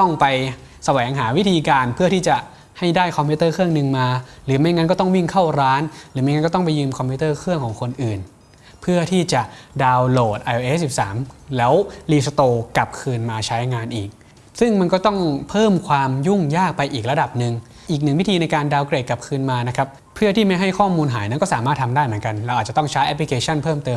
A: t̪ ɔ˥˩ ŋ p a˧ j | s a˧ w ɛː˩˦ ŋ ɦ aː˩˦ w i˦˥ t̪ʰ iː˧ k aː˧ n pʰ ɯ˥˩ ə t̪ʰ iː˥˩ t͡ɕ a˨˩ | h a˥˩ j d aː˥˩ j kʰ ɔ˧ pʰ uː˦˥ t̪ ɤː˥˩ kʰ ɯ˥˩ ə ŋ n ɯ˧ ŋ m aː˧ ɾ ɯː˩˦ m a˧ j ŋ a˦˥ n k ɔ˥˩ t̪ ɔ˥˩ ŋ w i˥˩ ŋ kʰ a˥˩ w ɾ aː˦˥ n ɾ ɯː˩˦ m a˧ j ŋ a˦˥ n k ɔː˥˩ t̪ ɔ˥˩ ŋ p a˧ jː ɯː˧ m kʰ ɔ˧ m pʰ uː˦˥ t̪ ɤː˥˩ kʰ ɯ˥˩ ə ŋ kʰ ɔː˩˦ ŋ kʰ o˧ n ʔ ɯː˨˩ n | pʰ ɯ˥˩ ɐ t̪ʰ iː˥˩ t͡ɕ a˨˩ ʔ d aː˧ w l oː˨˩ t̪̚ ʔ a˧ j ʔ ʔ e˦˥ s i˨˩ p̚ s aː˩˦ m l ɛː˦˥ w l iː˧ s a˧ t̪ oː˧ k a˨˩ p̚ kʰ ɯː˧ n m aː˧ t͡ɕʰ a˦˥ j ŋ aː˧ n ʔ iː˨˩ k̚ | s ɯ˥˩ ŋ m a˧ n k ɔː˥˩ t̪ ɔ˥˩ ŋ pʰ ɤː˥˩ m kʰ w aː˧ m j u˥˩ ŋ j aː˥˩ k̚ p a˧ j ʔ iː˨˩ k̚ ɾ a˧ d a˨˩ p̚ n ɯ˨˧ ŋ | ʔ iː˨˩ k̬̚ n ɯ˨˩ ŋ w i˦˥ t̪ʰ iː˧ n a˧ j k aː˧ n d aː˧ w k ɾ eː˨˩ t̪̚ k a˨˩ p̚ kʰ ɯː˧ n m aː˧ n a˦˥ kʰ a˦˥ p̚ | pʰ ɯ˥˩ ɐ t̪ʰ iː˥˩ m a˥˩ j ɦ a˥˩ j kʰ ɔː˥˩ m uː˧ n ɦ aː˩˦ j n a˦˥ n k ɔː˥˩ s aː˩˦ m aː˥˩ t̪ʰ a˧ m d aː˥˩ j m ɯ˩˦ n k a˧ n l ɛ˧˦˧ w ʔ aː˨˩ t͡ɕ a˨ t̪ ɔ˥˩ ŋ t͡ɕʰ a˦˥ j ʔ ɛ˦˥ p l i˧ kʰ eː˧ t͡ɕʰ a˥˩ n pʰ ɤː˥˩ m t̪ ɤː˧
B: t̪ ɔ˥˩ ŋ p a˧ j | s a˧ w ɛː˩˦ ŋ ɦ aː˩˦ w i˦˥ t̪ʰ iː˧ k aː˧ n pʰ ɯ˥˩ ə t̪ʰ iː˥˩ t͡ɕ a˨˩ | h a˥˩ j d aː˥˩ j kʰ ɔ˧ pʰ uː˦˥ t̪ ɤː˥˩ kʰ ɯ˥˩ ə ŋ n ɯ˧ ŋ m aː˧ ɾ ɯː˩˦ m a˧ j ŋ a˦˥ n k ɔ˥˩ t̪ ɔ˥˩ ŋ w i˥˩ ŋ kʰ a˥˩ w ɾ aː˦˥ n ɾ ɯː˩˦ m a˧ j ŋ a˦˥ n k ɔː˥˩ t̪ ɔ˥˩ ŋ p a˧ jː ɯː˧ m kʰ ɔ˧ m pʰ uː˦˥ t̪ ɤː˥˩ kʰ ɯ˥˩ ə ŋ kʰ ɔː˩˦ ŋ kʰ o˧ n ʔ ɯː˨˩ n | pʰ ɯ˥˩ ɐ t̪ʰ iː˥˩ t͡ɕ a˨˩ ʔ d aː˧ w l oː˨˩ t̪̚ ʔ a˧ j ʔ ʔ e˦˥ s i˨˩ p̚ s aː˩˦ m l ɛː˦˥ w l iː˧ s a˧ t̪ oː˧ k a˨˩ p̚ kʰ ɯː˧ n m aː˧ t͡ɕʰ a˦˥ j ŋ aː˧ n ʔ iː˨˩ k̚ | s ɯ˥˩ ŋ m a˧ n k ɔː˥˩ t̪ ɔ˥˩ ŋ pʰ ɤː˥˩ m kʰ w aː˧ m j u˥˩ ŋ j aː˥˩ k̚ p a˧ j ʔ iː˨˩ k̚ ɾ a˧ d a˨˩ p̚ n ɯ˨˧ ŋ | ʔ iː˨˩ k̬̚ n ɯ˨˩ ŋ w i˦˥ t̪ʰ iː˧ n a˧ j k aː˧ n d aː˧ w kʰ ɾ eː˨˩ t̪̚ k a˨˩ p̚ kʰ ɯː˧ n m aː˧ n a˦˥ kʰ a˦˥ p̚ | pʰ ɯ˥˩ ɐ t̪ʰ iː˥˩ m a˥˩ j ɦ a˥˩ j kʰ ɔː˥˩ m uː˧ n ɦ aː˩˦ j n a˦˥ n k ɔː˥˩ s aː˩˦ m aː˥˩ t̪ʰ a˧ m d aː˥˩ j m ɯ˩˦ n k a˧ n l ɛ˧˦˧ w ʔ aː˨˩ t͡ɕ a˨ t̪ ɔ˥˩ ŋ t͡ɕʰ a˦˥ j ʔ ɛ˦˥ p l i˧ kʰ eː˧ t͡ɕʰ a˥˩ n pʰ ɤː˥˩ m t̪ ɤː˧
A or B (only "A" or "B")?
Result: A